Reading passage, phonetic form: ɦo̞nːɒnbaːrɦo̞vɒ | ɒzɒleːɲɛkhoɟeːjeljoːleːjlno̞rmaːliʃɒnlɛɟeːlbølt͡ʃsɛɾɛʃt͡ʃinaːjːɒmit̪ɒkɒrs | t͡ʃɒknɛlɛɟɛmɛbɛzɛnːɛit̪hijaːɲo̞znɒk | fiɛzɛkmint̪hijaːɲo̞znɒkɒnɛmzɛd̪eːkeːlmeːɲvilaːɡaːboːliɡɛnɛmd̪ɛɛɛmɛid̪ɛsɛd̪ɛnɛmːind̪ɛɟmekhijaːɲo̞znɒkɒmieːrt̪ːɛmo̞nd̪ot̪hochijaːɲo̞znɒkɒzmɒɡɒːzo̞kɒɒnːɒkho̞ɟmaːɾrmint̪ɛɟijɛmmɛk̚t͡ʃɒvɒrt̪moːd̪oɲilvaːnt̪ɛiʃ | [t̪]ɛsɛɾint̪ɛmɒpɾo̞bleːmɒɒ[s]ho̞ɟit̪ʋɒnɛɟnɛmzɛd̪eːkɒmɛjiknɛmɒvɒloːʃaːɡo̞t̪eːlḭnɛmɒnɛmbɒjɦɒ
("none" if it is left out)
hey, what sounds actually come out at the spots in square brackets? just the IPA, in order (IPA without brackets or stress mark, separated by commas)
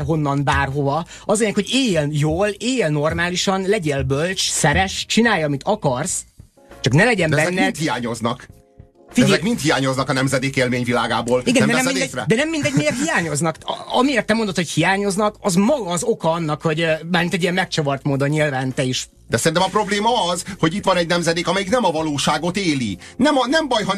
d̪, z